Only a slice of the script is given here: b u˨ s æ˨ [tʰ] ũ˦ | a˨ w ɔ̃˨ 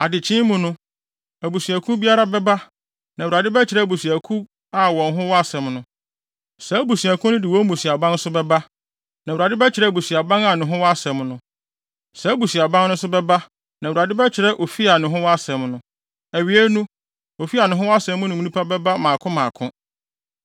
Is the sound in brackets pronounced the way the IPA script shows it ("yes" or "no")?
no